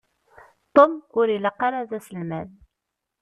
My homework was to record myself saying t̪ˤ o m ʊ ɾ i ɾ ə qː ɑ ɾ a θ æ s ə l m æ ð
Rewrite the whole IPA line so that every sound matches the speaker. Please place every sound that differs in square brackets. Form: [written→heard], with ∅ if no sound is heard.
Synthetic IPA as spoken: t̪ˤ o m ʊ ɾ i [ɾ→l] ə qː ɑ ɾ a [θ→ð] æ s ə l m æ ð